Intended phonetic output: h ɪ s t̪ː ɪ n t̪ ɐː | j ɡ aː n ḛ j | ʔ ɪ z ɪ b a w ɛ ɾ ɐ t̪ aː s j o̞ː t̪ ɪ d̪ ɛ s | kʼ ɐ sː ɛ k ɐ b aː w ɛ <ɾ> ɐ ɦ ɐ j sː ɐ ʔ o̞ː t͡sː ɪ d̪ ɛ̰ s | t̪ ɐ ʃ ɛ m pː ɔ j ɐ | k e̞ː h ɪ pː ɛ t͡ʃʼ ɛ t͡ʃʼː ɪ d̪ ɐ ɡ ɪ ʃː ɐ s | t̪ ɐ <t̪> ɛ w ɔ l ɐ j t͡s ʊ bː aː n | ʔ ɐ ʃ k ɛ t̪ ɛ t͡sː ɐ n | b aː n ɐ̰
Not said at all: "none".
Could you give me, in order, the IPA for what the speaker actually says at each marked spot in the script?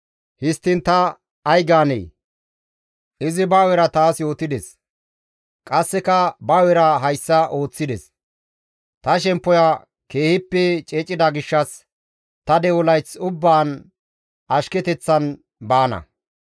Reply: ɾ, d̪

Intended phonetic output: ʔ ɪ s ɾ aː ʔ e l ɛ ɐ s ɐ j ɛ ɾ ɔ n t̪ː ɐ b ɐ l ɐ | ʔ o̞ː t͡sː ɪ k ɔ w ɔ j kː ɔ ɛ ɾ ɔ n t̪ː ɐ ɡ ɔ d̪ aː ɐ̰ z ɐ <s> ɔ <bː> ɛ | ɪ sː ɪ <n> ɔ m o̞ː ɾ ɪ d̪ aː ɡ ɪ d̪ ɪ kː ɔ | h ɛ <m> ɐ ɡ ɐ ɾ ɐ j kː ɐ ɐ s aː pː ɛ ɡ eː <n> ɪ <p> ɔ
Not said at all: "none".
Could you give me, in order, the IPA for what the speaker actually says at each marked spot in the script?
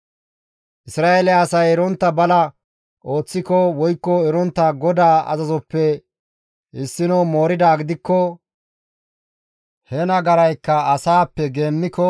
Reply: z, pː, n, n, nː, k

